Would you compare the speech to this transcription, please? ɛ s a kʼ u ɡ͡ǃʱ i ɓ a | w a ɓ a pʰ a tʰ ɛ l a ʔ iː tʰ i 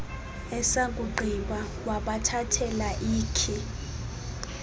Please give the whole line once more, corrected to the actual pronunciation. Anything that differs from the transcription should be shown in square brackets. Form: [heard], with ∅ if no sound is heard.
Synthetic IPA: ɛ s a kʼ u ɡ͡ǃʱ i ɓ a | w a ɓ a [tʰ] a tʰ ɛ l a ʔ iː [kʰ] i